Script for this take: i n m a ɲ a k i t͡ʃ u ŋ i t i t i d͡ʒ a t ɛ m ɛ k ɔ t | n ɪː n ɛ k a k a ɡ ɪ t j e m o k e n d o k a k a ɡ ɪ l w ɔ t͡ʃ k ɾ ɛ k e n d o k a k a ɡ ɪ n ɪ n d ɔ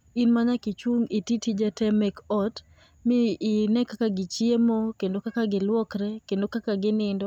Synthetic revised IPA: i n m a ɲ a k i t͡ʃ u ŋ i t i t i d͡ʒ a t ɛ m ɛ k ɔ t | m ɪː n ɛ k a k a ɡ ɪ t͡ʃ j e m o k e n d o k a k a ɡ ɪ l w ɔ k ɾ ɛ k e n d o k a k a ɡ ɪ n ɪ n d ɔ